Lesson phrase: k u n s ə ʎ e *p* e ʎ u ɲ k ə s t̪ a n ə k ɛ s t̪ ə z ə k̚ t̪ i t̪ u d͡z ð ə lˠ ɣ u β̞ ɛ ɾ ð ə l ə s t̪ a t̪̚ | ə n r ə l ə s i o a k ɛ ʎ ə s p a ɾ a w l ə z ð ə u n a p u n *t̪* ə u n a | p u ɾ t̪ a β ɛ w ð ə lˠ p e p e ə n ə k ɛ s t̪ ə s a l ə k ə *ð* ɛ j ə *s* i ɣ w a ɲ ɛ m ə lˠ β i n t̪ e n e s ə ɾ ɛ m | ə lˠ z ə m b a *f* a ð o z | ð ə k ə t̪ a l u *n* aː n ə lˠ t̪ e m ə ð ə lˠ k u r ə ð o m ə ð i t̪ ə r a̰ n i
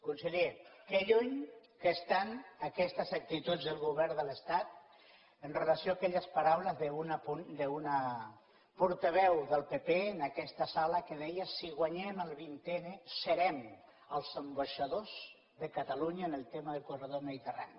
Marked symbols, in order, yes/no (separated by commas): no, no, yes, yes, no, no